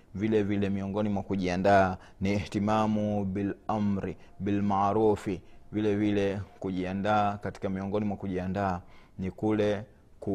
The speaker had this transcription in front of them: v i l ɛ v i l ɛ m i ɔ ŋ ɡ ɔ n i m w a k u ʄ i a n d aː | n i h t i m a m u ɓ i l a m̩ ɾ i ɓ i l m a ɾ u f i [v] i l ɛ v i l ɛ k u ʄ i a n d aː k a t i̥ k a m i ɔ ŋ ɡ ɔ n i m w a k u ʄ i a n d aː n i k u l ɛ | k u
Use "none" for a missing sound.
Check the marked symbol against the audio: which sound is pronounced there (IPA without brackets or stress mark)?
v